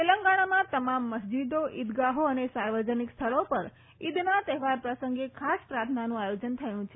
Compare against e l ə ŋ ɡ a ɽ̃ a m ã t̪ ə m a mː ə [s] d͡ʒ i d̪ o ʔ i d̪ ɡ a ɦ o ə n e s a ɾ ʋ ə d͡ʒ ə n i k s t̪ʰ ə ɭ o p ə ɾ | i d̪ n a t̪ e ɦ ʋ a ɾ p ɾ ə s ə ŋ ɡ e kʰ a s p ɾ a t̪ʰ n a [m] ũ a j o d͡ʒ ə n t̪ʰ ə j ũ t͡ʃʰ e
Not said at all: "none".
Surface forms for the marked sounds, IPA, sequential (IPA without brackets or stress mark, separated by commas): s, n